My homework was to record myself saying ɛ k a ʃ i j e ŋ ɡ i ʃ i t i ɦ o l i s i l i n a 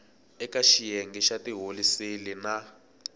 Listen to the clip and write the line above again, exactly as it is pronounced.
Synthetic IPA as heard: ɛ k a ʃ i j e ŋ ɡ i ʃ a t i ɦ o l i s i l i n a